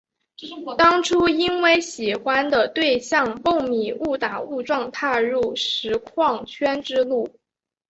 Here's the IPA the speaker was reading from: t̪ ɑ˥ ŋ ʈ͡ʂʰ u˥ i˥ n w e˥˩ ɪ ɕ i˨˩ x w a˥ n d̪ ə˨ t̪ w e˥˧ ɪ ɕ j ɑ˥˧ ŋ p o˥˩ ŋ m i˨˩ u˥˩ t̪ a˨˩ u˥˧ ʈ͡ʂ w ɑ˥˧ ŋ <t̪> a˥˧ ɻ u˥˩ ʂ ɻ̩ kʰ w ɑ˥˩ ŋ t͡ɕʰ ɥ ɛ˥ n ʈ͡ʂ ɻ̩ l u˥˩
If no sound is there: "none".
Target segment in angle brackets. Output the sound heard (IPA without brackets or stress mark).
t̪ʰ